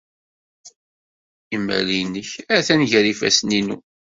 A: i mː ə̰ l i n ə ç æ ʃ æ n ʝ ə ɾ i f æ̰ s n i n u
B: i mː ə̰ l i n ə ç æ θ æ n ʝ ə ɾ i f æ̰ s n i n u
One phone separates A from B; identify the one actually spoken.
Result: B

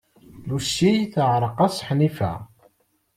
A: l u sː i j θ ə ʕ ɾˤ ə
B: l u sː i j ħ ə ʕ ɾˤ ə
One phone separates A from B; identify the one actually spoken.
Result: A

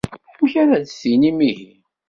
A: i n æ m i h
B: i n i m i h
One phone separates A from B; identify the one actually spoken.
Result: B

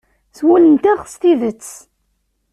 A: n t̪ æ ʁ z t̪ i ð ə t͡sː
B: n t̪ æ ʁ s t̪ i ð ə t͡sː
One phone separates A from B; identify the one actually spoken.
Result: B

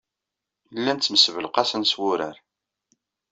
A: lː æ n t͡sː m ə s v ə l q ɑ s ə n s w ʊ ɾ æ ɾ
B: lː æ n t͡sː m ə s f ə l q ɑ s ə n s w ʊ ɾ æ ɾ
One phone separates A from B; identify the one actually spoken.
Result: A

